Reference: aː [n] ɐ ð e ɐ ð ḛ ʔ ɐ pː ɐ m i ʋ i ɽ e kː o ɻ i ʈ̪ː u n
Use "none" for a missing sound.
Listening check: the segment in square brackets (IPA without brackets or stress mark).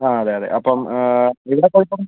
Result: none